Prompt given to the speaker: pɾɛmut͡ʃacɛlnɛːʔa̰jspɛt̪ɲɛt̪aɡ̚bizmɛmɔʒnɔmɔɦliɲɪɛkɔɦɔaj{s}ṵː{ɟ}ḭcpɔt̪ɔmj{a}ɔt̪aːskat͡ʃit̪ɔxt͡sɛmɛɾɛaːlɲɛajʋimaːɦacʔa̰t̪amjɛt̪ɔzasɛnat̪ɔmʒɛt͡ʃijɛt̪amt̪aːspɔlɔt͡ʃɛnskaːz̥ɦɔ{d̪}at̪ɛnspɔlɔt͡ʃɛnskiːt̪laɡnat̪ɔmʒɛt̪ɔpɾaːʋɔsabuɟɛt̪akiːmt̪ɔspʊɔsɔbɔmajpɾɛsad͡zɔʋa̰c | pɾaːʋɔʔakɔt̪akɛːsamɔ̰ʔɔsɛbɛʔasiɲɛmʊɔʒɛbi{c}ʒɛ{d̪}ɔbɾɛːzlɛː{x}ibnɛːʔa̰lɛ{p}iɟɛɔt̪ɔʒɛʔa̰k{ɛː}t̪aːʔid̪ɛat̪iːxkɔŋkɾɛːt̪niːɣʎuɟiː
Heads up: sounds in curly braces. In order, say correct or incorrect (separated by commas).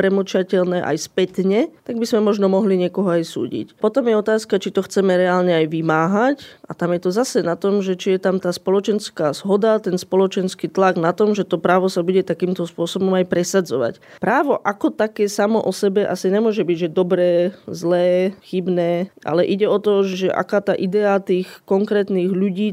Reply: correct, correct, incorrect, correct, incorrect, correct, correct, incorrect, incorrect